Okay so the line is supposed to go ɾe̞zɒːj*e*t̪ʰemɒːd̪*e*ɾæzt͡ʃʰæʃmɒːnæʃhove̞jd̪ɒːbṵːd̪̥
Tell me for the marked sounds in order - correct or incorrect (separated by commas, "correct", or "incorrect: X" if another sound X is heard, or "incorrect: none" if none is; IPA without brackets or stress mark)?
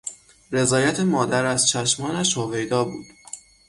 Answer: incorrect: æ, incorrect: æ